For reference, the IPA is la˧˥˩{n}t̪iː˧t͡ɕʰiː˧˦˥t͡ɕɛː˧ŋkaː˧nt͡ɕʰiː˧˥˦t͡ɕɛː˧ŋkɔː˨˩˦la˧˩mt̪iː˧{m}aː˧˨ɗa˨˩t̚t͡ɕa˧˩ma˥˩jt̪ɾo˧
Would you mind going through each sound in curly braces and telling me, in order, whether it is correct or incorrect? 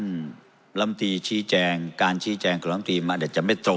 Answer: incorrect, correct

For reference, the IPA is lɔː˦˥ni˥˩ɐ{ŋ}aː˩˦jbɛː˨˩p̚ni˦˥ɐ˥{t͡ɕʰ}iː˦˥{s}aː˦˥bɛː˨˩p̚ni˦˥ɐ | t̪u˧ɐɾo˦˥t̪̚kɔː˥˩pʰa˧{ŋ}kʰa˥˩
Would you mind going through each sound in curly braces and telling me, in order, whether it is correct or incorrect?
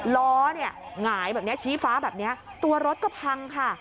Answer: correct, correct, incorrect, correct

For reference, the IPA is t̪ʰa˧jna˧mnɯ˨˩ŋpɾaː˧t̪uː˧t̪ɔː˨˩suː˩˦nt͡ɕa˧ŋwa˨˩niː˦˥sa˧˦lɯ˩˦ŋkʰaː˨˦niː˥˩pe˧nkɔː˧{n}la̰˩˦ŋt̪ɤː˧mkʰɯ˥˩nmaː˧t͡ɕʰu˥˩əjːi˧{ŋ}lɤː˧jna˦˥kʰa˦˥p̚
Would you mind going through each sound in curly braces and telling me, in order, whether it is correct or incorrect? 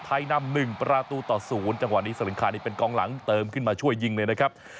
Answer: incorrect, correct

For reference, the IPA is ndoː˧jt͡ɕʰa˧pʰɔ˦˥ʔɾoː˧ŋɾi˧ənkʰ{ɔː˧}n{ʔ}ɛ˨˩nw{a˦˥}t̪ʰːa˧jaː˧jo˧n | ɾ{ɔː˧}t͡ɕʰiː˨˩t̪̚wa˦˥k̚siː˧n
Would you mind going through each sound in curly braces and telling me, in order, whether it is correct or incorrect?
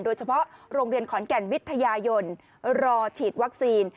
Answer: incorrect, incorrect, incorrect, correct

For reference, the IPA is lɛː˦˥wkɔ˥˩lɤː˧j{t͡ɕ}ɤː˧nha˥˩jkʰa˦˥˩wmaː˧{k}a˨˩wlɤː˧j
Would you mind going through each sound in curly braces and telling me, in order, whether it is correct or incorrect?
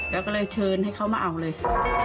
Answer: incorrect, incorrect

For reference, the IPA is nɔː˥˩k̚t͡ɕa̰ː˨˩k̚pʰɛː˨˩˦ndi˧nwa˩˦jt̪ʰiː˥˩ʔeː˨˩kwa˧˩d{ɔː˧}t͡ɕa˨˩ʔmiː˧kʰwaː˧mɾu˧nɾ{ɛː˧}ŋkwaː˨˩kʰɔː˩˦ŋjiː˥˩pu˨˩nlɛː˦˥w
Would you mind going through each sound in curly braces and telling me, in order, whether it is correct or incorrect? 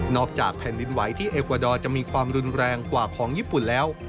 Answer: correct, correct

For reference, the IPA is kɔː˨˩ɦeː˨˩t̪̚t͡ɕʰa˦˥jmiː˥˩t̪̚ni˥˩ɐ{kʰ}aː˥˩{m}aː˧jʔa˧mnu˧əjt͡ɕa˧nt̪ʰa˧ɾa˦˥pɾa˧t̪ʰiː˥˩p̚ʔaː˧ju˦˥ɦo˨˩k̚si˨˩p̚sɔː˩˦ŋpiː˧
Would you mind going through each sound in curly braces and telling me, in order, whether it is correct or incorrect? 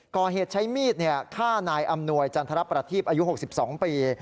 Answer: correct, incorrect

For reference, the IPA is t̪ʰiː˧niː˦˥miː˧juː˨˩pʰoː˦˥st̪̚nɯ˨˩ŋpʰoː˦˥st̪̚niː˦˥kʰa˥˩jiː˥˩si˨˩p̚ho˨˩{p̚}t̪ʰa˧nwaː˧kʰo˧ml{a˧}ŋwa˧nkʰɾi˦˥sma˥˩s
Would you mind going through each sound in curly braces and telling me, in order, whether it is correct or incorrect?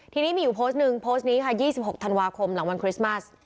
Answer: incorrect, incorrect

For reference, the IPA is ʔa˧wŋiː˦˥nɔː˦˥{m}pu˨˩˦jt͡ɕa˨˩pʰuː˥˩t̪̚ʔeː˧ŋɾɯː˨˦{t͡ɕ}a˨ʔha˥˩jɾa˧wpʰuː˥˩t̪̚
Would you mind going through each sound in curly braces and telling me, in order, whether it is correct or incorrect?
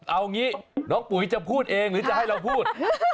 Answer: incorrect, correct

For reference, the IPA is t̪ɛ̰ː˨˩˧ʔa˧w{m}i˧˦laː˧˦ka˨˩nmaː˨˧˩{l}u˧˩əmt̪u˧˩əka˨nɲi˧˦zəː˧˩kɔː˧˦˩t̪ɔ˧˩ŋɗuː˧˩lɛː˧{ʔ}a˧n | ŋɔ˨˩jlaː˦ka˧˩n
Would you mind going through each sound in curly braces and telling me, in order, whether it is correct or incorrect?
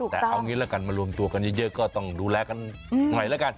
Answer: incorrect, correct, incorrect

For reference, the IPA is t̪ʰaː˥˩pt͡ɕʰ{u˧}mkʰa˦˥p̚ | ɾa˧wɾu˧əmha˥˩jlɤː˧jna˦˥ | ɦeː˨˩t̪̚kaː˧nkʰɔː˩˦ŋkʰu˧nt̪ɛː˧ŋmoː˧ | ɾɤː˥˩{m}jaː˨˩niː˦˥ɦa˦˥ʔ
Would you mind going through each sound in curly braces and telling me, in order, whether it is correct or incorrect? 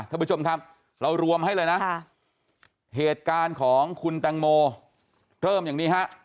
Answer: incorrect, correct

